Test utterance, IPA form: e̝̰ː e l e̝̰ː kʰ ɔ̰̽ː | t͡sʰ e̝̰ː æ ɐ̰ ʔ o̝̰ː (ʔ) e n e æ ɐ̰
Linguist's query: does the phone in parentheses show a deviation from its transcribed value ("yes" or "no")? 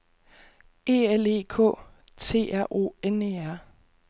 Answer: yes